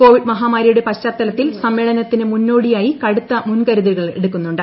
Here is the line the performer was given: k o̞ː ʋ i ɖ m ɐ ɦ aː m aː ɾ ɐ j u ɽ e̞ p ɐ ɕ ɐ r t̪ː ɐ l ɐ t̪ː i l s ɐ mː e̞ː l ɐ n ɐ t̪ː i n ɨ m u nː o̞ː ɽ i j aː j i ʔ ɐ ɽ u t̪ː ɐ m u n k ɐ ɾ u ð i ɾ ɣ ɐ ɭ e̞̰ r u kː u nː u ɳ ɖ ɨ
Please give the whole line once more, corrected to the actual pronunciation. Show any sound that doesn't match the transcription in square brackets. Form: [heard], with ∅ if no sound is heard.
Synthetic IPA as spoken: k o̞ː ʋ i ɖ m ɐ ɦ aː m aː ɾ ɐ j u ɽ e̞ p ɐ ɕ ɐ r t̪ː ɐ l ɐ t̪ː i l s ɐ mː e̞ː [ɭ] ɐ n ɐ t̪ː i n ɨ m u nː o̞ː ɽ i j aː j i [k] ɐ ɽ u t̪ː ɐ m u n k ɐ ɾ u ð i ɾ ɣ ɐ ɭ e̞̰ [ɽ] u kː u nː u ɳ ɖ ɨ